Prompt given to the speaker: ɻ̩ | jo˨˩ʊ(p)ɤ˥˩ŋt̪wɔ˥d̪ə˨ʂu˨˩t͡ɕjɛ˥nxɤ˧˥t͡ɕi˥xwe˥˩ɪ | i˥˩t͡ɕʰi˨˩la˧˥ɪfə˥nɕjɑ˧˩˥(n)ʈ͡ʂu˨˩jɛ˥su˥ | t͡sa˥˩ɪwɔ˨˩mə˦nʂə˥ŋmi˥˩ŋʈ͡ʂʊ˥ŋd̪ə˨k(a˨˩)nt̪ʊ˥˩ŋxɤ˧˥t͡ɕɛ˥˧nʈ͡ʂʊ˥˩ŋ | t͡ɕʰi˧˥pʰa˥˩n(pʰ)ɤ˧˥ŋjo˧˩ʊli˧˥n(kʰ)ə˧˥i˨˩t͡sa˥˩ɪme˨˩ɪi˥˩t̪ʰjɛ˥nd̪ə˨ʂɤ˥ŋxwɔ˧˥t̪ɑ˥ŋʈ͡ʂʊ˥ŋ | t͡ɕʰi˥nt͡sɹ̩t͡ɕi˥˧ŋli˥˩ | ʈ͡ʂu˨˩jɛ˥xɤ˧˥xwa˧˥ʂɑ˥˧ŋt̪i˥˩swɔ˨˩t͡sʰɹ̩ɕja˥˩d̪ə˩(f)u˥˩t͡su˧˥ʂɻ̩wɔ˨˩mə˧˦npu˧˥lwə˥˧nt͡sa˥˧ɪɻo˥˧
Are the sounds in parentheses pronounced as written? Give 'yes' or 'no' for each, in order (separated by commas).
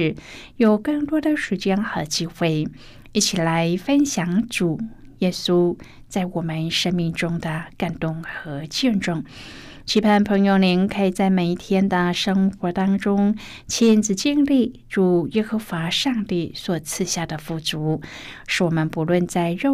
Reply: no, no, yes, yes, yes, yes